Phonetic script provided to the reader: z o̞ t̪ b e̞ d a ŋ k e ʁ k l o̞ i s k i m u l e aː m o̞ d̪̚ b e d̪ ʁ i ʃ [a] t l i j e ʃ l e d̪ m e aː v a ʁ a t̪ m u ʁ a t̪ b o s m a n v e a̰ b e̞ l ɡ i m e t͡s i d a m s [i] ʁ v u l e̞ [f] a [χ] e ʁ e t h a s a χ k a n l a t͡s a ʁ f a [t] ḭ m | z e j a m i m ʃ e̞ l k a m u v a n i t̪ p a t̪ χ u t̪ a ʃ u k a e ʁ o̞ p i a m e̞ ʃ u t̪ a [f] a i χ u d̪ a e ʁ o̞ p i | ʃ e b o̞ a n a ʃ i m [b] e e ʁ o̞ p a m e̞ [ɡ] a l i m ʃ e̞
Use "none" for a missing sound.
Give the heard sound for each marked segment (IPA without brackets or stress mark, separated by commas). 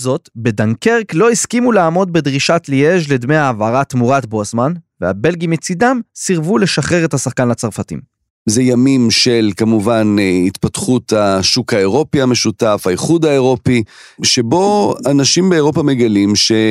a, i, ʃ, χ, t, f, b, ɡ